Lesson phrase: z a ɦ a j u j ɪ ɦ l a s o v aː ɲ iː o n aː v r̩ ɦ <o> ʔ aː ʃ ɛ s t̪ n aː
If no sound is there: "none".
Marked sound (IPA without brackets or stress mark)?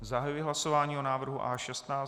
u